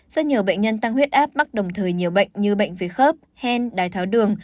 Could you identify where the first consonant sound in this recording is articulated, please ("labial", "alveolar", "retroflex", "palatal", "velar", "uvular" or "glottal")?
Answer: alveolar